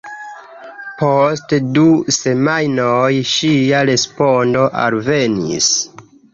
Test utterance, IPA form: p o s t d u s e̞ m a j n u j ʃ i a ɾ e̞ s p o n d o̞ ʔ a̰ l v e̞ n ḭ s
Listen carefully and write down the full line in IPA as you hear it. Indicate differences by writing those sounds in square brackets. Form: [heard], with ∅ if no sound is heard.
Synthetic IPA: p o s t d u s e̞ m a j n [o] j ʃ i a ɾ e̞ s p o n d o̞ ʔ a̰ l v e̞ n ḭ s